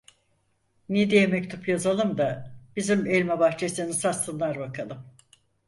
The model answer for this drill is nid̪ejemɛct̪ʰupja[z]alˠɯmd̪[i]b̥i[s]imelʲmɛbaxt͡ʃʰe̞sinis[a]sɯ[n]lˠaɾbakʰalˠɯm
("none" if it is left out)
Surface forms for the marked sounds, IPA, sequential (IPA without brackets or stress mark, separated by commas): z, a, z, a, n